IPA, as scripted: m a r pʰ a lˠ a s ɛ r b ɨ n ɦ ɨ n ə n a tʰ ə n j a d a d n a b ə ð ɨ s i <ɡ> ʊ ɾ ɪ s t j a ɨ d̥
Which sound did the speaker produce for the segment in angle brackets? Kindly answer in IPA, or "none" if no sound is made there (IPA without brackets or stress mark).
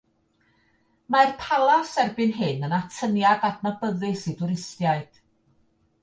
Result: d